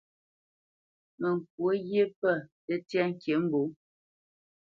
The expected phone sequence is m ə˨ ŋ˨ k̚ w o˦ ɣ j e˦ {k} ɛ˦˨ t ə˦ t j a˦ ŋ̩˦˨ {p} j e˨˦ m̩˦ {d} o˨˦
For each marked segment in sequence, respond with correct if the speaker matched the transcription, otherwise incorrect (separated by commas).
incorrect, incorrect, incorrect